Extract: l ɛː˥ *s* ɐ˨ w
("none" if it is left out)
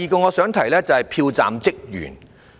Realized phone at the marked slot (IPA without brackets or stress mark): t͡s